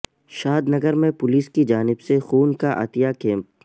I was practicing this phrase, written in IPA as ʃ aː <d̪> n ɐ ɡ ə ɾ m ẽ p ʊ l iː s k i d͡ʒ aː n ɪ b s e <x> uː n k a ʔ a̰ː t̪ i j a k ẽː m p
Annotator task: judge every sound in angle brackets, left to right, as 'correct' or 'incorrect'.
correct, correct

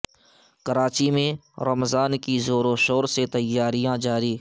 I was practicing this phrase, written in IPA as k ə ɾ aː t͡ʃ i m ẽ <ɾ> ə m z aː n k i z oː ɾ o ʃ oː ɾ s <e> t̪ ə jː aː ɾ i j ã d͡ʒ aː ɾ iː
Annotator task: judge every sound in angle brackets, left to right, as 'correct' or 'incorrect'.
correct, correct

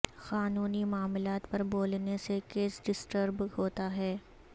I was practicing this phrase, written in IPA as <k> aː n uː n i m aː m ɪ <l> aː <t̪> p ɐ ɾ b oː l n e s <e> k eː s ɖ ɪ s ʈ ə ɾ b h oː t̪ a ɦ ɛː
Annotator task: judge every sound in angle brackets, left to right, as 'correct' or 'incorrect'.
incorrect: x, correct, correct, correct

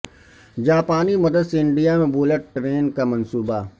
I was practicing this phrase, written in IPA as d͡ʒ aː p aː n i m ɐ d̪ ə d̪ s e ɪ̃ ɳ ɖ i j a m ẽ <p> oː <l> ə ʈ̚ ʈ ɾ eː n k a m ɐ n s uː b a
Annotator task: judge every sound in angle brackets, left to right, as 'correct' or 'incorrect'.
incorrect: b, correct

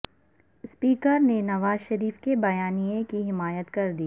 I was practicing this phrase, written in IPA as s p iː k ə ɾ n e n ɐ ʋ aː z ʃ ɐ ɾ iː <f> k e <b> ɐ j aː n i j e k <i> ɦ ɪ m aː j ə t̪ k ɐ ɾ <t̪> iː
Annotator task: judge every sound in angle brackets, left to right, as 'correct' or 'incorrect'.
correct, correct, correct, incorrect: d̪

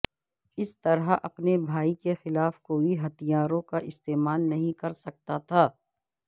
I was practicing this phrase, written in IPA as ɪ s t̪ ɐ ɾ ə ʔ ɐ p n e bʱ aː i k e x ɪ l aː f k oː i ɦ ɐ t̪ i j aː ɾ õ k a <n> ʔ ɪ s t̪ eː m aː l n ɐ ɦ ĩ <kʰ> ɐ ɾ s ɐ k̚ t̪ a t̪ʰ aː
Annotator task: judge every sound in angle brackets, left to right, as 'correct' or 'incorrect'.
incorrect: none, incorrect: k

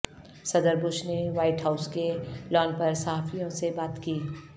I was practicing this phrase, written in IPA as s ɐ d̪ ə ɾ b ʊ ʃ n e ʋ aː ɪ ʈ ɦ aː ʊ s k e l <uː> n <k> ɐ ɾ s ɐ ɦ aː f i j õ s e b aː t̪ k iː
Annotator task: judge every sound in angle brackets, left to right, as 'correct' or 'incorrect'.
incorrect: ɔː, incorrect: p

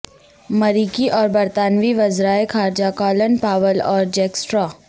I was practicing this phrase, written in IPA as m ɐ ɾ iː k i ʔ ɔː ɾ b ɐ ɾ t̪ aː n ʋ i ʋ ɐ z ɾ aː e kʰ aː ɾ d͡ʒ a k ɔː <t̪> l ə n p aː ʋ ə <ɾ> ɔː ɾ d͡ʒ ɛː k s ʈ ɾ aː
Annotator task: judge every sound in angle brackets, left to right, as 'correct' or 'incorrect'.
incorrect: none, incorrect: l

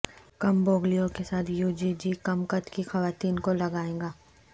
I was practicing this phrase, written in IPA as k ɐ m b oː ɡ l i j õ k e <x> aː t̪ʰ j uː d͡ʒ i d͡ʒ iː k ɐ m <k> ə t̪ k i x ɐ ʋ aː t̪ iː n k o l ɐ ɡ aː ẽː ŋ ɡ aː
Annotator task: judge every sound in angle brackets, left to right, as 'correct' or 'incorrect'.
incorrect: s, correct

